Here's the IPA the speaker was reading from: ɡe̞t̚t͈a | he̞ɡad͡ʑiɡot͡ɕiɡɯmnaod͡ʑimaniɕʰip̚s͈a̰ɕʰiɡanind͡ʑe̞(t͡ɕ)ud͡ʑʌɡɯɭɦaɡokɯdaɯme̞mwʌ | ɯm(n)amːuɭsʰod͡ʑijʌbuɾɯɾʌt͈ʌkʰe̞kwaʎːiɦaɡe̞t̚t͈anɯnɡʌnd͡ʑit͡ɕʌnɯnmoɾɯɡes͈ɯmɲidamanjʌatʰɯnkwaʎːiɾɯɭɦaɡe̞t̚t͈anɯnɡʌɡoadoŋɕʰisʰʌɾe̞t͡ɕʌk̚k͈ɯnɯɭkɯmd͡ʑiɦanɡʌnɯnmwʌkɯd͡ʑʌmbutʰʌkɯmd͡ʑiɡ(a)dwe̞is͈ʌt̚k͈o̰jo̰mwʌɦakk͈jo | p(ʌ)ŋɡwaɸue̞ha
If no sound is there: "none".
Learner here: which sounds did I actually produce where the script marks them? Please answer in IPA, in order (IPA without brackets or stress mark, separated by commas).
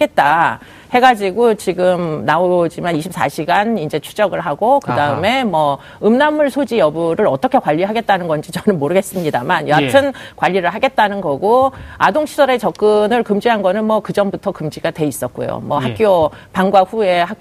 t͡ɕʰ, n, a, a